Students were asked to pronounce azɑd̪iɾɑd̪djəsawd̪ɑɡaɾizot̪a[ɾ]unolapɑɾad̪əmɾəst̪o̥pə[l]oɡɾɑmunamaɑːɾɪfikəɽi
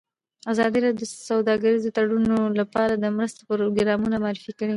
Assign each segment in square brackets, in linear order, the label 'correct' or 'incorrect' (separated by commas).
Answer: incorrect, incorrect